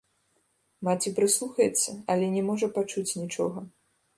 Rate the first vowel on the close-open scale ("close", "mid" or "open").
open